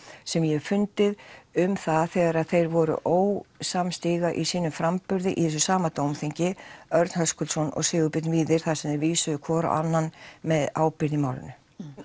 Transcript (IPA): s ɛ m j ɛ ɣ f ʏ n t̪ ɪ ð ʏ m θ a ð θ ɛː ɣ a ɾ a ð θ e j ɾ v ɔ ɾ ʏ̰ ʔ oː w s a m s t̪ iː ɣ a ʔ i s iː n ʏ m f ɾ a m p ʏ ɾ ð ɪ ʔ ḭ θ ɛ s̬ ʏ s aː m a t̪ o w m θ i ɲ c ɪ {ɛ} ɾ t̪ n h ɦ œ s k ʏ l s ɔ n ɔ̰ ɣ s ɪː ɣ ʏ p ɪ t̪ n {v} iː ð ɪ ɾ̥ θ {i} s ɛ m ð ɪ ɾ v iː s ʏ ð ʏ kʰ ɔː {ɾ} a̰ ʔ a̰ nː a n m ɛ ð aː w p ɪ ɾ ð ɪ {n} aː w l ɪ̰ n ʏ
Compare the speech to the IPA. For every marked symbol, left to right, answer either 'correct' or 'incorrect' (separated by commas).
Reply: incorrect, correct, incorrect, correct, incorrect